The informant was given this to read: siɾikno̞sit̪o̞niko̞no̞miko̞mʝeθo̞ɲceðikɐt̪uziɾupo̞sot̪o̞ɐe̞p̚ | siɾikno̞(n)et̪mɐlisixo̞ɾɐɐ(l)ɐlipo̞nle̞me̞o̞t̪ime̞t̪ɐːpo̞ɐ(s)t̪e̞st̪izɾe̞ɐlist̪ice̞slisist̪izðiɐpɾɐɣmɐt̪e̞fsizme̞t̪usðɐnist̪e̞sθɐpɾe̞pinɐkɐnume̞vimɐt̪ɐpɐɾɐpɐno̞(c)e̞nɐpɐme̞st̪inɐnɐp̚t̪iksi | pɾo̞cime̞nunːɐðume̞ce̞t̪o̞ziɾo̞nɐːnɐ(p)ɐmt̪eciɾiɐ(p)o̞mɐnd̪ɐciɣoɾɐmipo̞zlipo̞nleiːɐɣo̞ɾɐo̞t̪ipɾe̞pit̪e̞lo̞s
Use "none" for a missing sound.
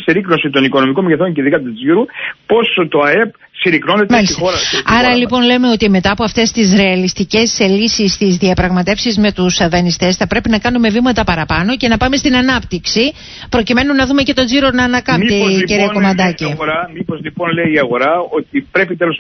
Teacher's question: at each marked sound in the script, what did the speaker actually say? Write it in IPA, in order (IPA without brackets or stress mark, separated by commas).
n, ɾ, f, c, k, k